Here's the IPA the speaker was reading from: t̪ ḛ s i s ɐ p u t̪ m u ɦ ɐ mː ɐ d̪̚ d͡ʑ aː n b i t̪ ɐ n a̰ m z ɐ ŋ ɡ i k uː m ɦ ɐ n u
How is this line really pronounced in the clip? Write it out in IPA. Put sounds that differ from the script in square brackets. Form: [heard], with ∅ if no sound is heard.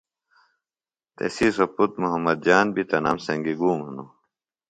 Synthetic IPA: t̪ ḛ s i s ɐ p u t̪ m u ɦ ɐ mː ɐ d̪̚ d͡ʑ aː n b i t̪ ɐ n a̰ m [s] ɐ ŋ ɡ i [ɡ] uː m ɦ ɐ n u